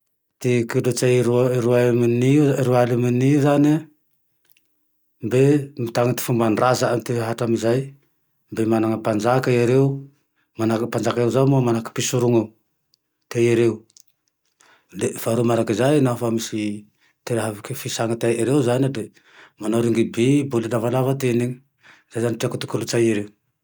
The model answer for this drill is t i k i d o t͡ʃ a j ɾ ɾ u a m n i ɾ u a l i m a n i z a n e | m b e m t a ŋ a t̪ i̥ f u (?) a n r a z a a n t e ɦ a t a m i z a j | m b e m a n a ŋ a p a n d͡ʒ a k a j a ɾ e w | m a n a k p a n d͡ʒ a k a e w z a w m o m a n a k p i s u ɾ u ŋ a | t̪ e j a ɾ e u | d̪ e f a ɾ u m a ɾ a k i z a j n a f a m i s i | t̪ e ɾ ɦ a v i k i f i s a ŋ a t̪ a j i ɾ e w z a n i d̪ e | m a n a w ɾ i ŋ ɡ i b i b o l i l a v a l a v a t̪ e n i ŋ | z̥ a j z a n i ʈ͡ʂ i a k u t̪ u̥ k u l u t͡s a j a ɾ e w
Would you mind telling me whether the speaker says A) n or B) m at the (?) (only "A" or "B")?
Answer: B